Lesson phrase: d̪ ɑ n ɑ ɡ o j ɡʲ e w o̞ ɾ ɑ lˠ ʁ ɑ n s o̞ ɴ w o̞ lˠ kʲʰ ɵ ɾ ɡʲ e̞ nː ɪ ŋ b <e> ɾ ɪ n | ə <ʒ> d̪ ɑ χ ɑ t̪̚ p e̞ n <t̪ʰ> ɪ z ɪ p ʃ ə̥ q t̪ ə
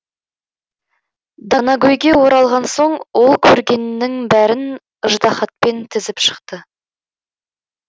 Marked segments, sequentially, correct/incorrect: incorrect, correct, correct

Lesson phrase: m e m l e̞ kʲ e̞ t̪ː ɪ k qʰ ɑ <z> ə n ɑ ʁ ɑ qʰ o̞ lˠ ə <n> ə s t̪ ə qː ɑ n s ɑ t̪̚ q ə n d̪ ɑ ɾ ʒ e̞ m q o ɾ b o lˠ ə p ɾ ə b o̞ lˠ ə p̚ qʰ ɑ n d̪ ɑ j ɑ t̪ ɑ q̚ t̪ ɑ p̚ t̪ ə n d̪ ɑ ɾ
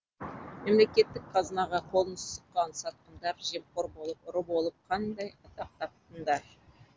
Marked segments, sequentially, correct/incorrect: correct, correct

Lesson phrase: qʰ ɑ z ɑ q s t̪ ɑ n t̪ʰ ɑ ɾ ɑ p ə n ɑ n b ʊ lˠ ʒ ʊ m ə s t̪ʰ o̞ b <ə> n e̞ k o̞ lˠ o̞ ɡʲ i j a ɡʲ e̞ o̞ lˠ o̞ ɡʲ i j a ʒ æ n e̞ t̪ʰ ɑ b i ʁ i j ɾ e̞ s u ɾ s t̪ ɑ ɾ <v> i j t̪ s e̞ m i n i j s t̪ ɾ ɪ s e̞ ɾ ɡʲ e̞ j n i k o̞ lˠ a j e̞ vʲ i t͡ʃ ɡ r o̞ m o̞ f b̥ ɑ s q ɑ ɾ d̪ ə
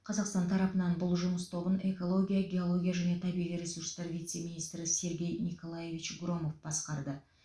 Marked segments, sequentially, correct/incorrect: correct, correct

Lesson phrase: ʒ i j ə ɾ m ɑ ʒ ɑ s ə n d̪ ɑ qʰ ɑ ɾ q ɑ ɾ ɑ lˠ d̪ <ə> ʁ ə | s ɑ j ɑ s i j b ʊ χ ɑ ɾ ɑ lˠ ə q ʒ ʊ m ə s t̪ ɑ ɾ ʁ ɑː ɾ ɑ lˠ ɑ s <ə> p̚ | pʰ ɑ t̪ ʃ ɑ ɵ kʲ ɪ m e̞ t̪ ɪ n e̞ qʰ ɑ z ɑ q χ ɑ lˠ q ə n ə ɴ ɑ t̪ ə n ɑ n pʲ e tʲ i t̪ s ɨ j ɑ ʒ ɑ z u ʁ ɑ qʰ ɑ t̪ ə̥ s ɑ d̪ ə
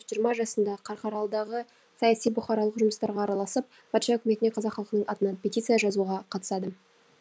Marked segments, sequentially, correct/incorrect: incorrect, correct

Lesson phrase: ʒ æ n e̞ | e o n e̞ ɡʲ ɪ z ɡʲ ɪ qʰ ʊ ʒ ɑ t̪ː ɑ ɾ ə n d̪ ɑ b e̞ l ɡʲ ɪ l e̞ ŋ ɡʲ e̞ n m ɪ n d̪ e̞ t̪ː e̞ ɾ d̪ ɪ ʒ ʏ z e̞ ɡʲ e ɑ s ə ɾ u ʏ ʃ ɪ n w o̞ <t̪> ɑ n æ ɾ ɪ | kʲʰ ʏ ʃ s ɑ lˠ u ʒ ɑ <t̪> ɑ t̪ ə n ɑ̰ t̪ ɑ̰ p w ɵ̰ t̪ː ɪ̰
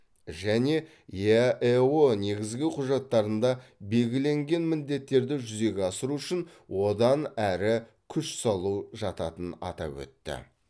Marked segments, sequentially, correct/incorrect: incorrect, correct

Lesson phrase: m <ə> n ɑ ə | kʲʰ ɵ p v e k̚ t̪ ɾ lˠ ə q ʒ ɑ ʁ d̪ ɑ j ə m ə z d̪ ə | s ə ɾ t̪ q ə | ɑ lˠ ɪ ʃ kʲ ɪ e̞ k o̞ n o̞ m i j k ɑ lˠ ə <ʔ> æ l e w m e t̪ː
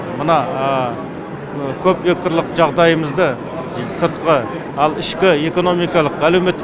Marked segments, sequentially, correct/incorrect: correct, incorrect

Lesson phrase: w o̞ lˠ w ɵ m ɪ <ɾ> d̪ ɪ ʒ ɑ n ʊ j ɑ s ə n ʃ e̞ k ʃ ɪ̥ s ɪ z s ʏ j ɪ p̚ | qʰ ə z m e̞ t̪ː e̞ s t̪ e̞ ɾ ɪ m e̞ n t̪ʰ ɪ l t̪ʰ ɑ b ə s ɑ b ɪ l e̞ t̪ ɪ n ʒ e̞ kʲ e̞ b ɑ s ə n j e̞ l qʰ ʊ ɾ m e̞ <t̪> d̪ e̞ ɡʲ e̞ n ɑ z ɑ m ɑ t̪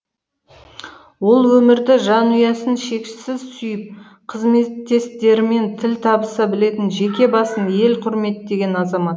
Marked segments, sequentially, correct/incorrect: correct, correct

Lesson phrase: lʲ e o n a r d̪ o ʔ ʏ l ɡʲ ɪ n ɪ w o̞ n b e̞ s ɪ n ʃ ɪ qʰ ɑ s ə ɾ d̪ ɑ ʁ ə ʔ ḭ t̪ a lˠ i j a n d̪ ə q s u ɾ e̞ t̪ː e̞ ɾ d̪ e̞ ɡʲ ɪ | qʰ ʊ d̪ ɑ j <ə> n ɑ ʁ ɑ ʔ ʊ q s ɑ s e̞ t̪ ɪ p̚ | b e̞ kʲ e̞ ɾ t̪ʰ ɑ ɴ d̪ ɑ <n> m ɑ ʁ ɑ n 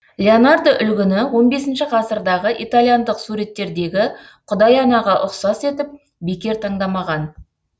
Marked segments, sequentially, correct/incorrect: incorrect, incorrect

